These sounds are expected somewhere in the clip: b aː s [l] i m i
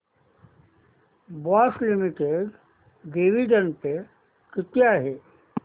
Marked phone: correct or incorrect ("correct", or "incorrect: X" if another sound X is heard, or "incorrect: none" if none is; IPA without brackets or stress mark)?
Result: correct